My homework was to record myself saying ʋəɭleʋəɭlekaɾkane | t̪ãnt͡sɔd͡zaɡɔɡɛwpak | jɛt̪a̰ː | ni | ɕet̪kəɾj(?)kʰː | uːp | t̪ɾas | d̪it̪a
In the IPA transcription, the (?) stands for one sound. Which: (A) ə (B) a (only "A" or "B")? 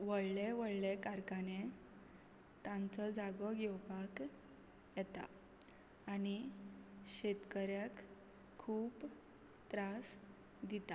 B